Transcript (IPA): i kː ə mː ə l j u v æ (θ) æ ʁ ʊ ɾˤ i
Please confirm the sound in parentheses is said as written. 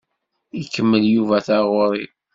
yes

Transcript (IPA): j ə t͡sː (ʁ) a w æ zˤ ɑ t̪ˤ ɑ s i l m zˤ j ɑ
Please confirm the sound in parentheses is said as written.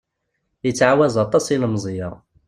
no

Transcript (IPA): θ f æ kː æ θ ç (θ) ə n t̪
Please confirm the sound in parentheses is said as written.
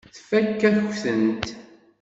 yes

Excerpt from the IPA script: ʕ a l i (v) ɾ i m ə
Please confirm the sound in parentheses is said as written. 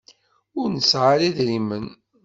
no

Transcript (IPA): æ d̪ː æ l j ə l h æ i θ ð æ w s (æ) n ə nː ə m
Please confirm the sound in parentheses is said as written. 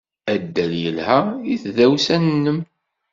yes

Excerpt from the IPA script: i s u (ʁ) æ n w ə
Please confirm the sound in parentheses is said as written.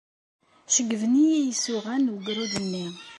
yes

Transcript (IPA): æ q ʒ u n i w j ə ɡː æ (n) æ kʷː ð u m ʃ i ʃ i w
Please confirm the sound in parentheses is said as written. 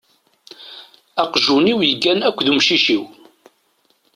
yes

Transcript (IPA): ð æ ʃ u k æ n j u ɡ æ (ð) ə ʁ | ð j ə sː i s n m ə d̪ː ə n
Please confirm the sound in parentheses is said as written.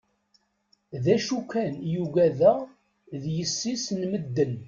yes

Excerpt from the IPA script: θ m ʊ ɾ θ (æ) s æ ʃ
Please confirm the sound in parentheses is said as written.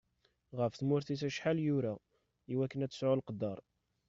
no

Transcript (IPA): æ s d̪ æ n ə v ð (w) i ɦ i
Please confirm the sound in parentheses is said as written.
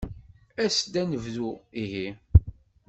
no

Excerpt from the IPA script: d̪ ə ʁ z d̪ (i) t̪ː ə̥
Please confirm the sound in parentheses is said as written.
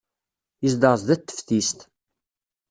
no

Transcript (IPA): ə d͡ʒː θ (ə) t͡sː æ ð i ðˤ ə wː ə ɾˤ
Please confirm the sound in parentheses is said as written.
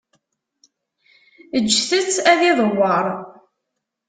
yes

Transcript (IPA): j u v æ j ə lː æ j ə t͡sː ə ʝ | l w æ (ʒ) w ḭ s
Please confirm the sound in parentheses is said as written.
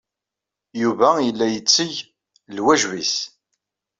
yes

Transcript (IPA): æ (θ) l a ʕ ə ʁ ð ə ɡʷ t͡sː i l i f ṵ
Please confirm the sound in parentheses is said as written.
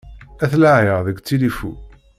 yes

